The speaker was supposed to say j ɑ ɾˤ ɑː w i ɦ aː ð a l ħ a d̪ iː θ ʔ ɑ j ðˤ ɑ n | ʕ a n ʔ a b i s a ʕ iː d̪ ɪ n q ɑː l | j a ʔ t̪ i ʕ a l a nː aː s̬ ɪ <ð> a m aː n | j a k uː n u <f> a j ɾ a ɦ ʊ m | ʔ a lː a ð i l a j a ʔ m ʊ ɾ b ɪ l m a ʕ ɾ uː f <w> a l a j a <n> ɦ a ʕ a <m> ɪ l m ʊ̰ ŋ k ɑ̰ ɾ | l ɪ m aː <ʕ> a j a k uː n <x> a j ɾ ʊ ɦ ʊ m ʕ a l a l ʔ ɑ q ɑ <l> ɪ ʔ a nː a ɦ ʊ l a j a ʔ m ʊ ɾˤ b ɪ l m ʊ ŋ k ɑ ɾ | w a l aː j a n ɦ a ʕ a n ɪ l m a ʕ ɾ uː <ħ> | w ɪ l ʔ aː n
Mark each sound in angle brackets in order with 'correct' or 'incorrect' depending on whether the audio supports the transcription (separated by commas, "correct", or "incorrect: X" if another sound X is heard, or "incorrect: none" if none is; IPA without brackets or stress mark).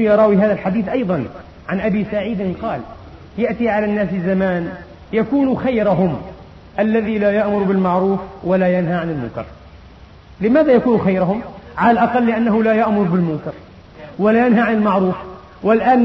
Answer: incorrect: z, incorrect: x, correct, correct, incorrect: n, incorrect: ð, correct, incorrect: lː, incorrect: f